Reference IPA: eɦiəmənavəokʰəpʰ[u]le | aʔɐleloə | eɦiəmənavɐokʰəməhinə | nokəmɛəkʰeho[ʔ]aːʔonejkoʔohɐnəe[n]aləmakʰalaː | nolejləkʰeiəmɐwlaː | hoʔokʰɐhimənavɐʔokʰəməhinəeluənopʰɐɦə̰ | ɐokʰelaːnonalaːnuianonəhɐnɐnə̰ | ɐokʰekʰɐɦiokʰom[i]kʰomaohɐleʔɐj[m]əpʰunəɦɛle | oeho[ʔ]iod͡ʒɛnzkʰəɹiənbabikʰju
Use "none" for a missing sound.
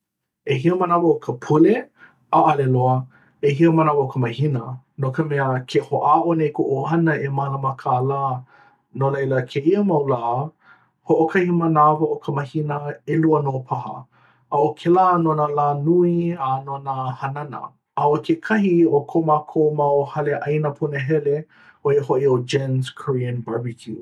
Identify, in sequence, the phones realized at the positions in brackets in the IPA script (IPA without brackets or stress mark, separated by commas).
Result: u, ʔ, m, a, n, ʔ